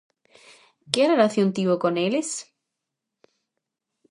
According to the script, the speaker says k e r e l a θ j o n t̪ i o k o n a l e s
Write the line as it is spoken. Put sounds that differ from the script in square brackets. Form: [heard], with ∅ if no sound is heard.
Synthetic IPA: k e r e l a θ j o n t̪ i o k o n [e] l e s

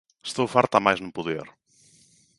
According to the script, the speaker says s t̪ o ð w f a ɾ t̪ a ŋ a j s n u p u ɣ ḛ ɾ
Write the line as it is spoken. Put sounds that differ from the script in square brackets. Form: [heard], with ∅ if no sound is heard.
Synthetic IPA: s t̪ o [∅] w f a ɾ t̪ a [m] a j [z] n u p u [ð] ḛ ɾ

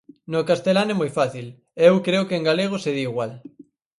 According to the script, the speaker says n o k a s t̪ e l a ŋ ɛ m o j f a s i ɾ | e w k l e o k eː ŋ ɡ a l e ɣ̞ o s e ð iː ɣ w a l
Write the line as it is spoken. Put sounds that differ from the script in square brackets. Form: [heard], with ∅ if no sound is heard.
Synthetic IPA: n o k a s t̪ e l a [n] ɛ m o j f a [θ] i [l] | e w k [ɾ] e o k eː ŋ ɡ a l e ɣ̞ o s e ð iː ɣ w a l

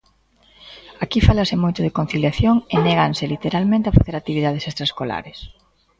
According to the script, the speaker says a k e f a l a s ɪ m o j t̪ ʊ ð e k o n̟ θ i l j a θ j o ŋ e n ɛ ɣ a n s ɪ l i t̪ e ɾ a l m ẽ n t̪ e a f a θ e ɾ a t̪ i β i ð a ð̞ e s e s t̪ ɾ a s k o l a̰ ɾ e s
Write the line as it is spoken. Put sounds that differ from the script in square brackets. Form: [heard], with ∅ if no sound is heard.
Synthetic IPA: a k [i] f a l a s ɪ m o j t̪ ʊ ð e k o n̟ θ i l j a θ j o ŋ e n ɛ ɣ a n s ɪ l i t̪ e ɾ a l m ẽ n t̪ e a f a θ e ɾ a t̪ i β i ð a ð̞ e s e s t̪ ɾ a s k o l a̰ ɾ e s

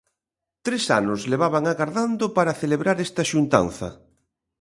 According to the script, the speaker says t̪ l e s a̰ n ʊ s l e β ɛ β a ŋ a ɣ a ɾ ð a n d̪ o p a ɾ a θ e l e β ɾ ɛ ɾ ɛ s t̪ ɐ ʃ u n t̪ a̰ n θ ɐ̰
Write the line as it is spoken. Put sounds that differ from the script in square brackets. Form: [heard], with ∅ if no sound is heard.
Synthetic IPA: t̪ [ɾ] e s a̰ n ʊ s l e β [a] β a ŋ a ɣ a ɾ ð a n d̪ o p a ɾ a θ e l e β ɾ [a] ɾ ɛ s t̪ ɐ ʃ u n t̪ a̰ n θ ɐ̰

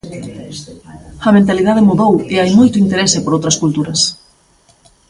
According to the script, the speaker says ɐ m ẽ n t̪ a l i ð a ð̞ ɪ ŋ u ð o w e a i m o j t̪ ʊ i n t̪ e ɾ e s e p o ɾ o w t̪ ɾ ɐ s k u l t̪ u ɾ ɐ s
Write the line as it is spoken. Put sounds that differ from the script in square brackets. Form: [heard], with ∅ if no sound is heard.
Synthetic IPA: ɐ m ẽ n t̪ a l i ð a ð̞ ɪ [m] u ð o w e a [j] m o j t̪ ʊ i n t̪ e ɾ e s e p o ɾ o w t̪ ɾ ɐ s k u l t̪ u ɾ ɐ s

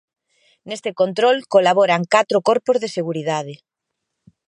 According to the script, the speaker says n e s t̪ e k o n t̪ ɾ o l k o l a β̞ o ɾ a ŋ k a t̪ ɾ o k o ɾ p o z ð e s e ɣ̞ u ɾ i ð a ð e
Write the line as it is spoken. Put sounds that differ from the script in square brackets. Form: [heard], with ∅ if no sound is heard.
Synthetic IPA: n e s t̪ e k o n t̪ ɾ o l k o l a β̞ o ɾ a ŋ k a t̪ ɾ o k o ɾ p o z ð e s e ɣ̞ u ɾ i ð a ð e

